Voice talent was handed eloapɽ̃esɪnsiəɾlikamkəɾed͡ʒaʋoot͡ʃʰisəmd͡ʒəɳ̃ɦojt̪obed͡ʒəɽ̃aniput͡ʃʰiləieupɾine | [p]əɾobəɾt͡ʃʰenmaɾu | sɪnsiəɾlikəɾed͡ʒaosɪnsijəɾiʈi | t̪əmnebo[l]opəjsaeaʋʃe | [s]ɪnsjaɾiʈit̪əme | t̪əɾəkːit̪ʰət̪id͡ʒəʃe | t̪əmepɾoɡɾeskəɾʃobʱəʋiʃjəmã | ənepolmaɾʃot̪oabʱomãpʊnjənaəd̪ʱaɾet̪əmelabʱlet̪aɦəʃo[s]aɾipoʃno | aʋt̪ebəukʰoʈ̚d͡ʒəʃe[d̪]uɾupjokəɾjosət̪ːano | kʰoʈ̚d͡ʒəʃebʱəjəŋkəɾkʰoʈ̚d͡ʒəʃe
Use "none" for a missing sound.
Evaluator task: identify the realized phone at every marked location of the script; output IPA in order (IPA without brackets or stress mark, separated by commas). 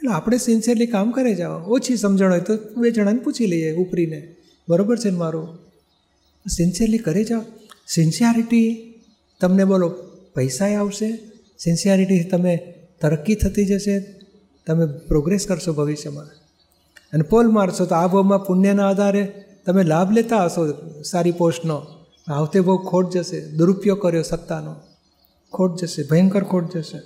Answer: b, l, s, s, d̪